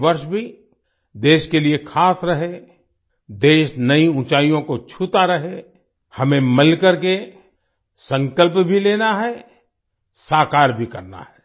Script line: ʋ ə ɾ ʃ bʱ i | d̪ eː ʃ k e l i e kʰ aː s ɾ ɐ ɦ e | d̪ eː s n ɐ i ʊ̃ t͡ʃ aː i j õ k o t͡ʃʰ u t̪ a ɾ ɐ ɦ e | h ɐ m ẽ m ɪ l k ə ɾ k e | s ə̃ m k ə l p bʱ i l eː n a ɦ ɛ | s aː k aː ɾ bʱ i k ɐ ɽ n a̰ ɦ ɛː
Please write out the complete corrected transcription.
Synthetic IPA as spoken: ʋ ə ɾ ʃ bʱ i | d̪ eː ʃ k e l i e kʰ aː s ɾ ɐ ɦ e | d̪ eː ʃ n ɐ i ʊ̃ t͡ʃ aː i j õ k o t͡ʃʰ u t̪ a ɾ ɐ ɦ e | h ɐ m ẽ m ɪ l k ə ɾ k e | s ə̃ ŋ k ə l p bʱ i l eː n a ɦ ɛ | s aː k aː ɾ bʱ i k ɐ ɾ n a̰ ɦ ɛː